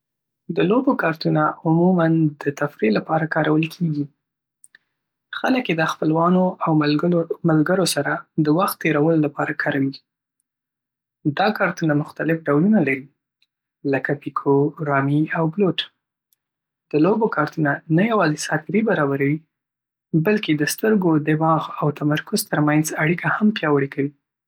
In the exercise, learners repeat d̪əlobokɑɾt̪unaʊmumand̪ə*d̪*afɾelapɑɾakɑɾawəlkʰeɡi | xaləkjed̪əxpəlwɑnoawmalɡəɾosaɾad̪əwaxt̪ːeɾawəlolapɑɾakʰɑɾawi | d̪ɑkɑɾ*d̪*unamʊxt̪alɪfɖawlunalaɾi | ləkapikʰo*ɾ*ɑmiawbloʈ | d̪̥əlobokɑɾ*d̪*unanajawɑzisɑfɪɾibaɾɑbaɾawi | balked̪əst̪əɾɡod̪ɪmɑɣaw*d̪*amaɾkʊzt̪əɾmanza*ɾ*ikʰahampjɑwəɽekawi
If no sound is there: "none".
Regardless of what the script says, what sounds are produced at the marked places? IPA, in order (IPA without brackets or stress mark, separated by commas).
t̪, t̪, ɾ, t̪, t̪, ɽ